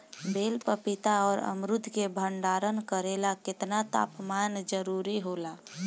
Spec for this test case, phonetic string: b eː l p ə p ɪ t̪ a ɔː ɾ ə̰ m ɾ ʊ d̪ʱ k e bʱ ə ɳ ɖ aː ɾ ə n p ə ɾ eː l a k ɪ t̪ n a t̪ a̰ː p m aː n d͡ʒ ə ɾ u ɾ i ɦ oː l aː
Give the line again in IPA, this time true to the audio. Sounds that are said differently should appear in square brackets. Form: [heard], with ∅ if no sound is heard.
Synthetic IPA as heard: b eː l p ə p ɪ t̪ a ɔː ɾ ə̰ m ɾ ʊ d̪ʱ k e bʱ ə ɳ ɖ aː ɾ ə n [k] ə ɾ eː l a k ɪ t̪ n a t̪ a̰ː p m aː n d͡ʒ ə ɾ u ɾ i ɦ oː l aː